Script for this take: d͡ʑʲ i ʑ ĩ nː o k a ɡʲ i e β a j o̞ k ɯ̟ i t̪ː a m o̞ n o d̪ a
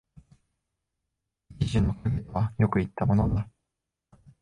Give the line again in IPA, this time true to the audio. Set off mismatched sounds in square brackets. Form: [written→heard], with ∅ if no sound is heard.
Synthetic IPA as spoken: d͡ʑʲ i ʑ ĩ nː o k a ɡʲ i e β a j o̞ k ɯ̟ i t̪ː a m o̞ n o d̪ a